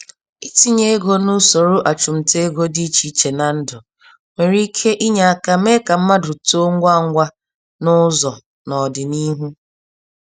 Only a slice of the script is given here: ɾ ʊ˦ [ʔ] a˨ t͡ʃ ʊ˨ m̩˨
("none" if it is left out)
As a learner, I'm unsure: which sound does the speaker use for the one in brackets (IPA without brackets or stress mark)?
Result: ʔ